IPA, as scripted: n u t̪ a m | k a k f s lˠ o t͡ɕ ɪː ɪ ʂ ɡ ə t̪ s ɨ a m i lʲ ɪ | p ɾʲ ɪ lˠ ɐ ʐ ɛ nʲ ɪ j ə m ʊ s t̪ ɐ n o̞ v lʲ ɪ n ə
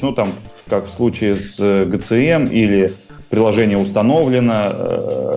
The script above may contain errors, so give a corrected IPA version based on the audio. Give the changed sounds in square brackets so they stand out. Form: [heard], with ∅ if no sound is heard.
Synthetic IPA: n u t̪ a m | k a k f s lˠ [u] t͡ɕ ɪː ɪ [s] ɡ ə t̪ s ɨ [ɛ] m i lʲ ɪ | p ɾʲ ɪ lˠ ɐ ʐ ɛ nʲ ɪ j ə [∅] ʊ s t̪ ɐ n o̞ v lʲ ɪ n ə